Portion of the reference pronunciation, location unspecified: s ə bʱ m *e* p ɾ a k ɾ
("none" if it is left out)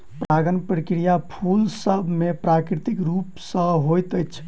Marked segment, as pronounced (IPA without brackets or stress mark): e